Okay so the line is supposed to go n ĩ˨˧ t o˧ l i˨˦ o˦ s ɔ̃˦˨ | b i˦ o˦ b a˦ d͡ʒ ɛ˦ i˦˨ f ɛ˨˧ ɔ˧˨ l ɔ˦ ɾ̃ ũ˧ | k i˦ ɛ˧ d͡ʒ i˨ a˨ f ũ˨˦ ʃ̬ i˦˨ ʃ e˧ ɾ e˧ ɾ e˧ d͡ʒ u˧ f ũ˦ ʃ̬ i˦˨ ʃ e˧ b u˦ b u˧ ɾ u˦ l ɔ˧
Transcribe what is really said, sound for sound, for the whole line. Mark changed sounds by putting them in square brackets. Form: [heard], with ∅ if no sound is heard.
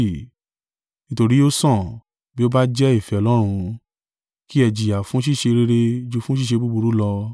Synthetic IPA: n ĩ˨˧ t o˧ [ɾ] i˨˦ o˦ s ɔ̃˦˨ | b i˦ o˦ b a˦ d͡ʒ ɛ˦ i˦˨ f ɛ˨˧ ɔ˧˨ l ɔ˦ ɾ̃ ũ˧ | k i˦ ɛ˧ d͡ʒ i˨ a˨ f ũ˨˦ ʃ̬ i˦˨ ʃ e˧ ɾ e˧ ɾ e˧ d͡ʒ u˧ f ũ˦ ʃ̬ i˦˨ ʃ e˧ b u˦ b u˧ ɾ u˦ l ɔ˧